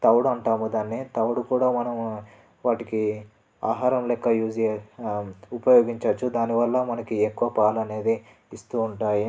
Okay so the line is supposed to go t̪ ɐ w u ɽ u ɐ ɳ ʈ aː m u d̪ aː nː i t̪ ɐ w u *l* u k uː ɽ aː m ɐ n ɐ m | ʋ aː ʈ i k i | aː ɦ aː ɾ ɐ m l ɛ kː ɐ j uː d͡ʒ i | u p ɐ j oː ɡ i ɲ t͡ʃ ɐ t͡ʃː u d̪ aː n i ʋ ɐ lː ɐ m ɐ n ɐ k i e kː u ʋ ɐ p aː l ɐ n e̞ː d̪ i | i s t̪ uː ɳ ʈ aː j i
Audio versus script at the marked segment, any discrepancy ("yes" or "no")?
yes